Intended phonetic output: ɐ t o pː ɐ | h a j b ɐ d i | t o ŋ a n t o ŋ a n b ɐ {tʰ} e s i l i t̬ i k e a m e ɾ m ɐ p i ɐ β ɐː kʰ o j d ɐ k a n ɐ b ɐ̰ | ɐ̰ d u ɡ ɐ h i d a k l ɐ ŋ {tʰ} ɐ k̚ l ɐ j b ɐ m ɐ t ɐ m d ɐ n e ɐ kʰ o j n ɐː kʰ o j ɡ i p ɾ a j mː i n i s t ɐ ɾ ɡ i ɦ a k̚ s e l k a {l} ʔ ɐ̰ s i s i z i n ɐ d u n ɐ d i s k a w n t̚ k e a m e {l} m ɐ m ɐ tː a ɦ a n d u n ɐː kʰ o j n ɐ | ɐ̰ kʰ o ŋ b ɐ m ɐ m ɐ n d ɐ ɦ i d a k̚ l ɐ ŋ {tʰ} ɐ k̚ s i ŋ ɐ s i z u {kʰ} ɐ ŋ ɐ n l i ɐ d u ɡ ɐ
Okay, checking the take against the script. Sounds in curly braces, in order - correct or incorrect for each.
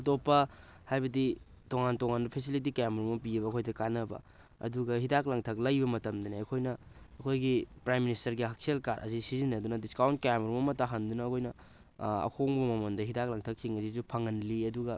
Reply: incorrect: pʰ, correct, incorrect: ɾ, incorrect: ɾ, correct, incorrect: pʰ

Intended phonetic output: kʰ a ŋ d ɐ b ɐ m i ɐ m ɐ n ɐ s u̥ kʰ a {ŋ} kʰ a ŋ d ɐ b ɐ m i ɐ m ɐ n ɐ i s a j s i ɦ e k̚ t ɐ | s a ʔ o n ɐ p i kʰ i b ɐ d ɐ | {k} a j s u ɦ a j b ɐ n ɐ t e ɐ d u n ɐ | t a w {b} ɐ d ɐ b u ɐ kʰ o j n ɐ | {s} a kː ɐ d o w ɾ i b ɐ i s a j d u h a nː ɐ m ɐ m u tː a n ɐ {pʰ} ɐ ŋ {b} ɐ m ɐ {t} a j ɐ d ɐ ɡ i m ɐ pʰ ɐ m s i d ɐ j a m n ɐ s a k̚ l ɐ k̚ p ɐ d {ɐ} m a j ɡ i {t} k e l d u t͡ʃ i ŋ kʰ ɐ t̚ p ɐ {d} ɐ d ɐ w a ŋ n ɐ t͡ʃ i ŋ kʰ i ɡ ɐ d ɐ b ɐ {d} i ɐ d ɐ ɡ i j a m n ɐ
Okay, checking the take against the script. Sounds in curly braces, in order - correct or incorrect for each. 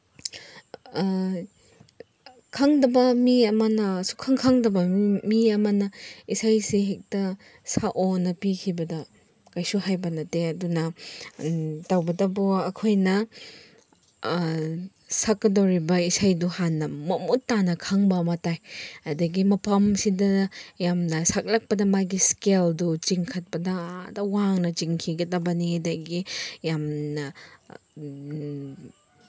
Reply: correct, correct, correct, correct, incorrect: kʰ, correct, correct, correct, incorrect: s, correct, incorrect: n

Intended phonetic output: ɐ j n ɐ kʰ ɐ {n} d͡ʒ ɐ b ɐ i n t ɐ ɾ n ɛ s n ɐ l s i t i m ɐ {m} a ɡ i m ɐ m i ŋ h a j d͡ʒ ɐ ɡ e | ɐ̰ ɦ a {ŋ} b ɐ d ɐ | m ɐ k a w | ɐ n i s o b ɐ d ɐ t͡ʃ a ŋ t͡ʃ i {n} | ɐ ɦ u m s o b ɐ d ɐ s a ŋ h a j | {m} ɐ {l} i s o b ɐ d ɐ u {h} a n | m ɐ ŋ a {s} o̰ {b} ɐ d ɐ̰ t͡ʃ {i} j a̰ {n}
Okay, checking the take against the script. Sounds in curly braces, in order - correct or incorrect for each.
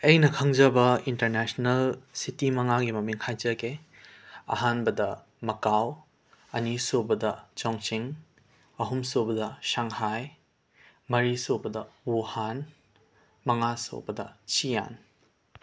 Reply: incorrect: ŋ, incorrect: ŋ, incorrect: n, incorrect: ŋ, correct, incorrect: ɾ, correct, correct, correct, correct, correct

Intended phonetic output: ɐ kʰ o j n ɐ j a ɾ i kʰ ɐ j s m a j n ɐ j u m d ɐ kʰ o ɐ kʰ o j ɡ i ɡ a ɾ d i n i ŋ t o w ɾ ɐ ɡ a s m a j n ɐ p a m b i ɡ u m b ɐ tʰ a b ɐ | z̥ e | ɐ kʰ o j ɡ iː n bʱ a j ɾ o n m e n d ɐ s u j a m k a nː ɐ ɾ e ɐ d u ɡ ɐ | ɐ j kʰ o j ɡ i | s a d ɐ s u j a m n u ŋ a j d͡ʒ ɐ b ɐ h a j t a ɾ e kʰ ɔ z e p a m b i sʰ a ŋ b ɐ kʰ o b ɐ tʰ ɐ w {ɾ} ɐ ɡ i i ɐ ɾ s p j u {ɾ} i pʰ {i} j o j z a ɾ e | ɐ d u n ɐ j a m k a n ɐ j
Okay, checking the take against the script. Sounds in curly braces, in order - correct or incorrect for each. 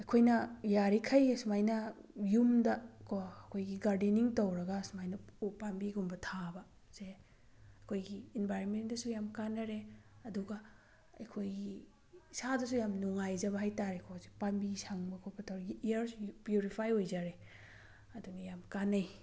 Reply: correct, correct, incorrect: a

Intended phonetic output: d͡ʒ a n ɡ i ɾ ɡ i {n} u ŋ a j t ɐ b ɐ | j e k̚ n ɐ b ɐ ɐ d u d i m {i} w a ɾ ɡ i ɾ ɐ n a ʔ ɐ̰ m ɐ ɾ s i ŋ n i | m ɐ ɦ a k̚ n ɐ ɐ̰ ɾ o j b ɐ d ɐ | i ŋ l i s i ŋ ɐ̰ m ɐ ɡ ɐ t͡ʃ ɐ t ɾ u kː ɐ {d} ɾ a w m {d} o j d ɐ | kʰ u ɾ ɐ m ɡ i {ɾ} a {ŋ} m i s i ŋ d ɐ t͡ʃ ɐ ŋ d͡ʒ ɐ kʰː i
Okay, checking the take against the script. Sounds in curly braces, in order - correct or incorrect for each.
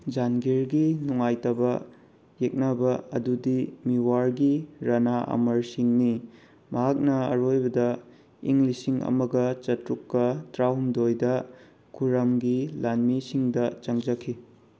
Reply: correct, correct, incorrect: t, correct, incorrect: l, incorrect: n

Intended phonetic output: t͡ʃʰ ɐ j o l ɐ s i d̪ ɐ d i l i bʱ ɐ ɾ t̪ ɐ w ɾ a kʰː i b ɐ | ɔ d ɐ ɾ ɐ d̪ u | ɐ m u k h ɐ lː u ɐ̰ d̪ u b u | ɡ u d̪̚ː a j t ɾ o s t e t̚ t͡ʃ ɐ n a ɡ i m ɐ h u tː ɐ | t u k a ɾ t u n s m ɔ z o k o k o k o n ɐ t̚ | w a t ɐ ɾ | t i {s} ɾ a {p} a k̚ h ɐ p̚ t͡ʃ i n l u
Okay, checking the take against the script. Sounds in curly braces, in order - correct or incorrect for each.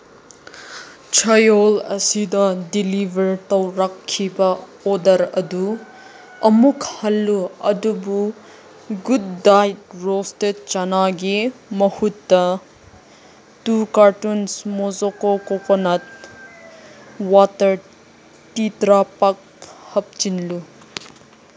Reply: incorrect: t, correct

